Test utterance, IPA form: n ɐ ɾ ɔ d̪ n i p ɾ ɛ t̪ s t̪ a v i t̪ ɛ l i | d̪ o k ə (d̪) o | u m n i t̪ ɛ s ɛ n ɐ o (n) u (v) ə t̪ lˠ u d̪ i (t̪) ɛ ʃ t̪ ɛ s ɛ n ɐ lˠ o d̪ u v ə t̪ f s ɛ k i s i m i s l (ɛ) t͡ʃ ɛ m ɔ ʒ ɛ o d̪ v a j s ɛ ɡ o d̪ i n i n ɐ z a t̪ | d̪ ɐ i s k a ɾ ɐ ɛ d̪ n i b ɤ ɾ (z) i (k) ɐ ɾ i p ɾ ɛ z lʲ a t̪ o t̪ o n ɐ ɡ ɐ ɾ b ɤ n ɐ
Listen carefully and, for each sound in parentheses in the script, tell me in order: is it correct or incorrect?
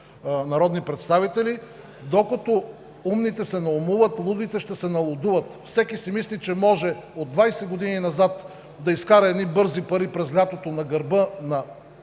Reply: incorrect, incorrect, correct, correct, incorrect, correct, incorrect

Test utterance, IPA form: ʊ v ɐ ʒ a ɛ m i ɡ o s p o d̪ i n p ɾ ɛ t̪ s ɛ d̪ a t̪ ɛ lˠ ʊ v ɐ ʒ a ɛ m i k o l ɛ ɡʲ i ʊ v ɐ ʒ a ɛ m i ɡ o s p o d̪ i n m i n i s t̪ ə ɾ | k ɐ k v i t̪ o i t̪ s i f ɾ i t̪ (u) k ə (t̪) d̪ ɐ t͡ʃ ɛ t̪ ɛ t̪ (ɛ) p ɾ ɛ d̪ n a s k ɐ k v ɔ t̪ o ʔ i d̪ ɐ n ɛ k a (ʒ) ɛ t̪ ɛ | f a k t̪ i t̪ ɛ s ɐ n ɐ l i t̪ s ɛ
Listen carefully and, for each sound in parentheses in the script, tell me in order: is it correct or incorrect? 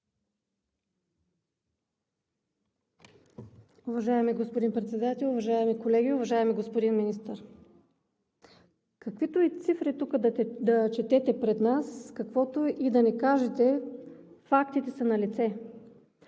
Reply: correct, incorrect, correct, correct

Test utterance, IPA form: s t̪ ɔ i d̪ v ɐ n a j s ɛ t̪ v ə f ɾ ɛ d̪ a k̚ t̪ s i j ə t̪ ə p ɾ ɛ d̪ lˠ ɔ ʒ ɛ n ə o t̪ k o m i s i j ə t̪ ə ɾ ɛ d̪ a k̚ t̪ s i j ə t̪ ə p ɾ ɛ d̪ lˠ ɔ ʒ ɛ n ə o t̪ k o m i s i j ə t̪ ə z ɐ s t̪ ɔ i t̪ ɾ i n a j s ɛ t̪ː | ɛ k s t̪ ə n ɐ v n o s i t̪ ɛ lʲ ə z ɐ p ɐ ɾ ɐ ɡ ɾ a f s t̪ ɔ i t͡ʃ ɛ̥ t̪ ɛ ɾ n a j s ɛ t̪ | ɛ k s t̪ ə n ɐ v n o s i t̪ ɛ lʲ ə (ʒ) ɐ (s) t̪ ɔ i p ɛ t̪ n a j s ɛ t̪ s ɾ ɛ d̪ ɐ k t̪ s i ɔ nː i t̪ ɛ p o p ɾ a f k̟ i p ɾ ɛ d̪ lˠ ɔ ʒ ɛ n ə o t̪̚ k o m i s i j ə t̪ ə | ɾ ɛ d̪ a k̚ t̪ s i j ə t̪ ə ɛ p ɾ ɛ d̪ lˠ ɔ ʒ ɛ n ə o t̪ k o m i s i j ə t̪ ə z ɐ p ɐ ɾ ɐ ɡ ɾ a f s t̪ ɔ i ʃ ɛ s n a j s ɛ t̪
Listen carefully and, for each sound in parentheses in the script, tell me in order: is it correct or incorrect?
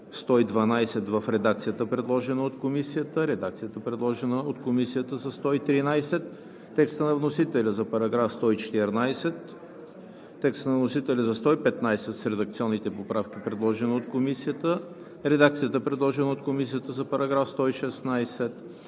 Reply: incorrect, correct

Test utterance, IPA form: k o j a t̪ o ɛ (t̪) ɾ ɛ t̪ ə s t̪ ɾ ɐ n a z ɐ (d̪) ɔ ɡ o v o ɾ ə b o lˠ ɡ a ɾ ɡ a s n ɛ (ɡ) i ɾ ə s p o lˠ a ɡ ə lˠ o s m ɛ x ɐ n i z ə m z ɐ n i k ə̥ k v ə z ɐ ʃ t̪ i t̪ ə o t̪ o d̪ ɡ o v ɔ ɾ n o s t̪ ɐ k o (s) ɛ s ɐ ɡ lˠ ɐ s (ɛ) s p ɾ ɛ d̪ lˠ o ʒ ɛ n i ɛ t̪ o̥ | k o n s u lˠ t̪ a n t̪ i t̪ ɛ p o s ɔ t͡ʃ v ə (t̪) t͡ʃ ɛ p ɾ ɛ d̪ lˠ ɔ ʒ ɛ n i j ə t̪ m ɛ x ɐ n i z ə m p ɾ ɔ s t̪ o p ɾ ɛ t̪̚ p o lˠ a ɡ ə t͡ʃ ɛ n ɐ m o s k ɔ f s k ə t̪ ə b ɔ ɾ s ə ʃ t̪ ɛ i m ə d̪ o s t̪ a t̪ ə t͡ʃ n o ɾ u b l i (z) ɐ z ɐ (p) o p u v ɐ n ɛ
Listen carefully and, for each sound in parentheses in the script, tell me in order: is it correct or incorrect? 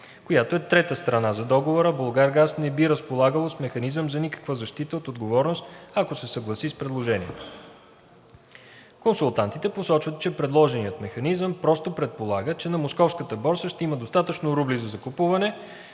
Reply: correct, correct, incorrect, correct, incorrect, correct, correct, incorrect

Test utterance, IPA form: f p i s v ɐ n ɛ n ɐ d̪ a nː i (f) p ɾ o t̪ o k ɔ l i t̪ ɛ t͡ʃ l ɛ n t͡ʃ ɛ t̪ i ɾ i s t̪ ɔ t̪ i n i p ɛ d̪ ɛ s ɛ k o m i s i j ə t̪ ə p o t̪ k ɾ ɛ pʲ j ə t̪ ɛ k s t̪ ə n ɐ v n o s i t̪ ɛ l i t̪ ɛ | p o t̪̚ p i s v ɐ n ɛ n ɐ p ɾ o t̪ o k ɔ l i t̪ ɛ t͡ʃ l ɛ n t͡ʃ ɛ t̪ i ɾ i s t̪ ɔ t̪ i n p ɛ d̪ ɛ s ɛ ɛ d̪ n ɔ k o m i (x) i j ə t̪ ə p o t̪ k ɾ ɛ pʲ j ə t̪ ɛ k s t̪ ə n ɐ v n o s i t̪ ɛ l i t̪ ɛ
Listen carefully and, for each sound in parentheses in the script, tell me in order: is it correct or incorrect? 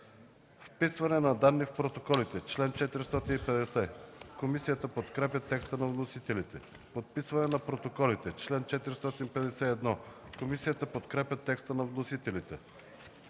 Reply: correct, incorrect

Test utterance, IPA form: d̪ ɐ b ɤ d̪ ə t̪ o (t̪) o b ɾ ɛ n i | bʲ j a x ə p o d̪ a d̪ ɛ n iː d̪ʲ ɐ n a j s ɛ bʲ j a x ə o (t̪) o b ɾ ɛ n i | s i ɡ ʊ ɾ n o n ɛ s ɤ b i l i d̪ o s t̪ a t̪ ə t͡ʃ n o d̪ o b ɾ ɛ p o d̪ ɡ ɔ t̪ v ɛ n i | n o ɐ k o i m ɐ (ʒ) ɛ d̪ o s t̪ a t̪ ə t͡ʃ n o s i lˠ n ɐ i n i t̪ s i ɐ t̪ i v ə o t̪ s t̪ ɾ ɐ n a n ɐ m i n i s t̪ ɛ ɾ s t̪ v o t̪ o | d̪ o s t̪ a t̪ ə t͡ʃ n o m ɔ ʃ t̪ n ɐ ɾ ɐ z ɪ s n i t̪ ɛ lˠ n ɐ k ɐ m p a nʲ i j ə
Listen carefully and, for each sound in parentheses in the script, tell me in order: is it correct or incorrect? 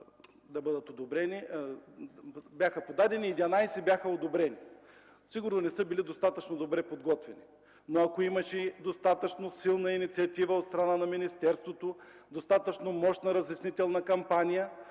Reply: incorrect, incorrect, incorrect

